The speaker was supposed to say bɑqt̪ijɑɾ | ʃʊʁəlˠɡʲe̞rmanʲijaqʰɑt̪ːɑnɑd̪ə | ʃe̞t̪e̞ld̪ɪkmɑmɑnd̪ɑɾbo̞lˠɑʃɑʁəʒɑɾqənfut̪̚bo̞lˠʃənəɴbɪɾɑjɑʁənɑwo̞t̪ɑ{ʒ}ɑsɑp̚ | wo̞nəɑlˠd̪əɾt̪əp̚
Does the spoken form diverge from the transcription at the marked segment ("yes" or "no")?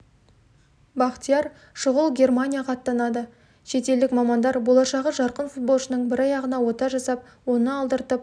no